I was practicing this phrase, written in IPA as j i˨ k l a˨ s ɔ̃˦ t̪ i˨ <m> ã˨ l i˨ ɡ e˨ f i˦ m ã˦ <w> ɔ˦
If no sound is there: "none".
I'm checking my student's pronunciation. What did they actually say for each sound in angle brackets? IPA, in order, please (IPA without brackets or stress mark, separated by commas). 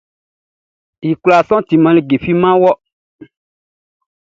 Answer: m, w